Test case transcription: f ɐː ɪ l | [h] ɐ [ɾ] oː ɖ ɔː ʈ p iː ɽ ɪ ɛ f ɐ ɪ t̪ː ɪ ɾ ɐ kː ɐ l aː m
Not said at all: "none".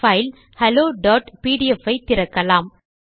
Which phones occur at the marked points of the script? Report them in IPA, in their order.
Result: h, l

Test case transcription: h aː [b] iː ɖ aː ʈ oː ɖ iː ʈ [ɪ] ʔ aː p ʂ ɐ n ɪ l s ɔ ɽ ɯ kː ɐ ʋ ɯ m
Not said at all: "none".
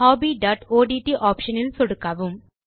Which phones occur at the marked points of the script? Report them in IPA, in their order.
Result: b, i

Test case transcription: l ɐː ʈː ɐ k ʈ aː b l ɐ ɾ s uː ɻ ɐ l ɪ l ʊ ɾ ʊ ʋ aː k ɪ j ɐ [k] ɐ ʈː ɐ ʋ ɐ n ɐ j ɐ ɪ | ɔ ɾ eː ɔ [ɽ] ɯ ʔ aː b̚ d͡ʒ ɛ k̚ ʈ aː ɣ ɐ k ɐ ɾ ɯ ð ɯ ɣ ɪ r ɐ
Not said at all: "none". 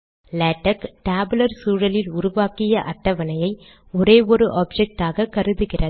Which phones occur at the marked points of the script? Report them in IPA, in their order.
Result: ʔ, ɾ

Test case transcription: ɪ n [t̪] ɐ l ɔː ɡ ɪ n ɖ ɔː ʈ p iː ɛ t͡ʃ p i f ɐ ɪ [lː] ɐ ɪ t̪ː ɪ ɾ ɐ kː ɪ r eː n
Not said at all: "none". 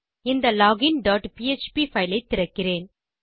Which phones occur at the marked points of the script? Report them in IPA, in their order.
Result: d̪, l

